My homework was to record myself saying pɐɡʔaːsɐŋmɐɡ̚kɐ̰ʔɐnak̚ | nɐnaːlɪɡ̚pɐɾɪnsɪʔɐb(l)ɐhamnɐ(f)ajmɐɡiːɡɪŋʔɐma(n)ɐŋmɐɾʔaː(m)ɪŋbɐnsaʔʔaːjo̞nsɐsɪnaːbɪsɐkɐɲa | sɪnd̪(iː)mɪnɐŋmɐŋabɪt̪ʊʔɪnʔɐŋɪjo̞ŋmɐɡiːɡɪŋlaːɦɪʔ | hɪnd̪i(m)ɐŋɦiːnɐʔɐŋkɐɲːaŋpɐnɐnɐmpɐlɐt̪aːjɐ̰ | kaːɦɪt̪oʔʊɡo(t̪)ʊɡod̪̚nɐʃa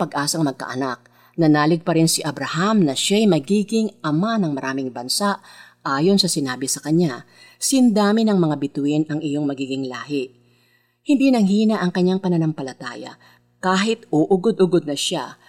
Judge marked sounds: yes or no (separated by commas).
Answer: no, no, yes, yes, no, no, no